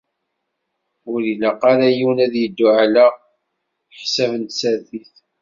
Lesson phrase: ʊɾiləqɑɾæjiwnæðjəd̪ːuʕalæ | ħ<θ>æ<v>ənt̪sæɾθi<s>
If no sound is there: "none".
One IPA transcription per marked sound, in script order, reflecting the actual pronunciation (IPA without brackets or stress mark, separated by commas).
s, v, θ